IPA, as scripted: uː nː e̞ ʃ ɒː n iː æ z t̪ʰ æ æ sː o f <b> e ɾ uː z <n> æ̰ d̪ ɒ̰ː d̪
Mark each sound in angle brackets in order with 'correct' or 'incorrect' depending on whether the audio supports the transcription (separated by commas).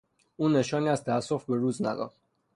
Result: correct, correct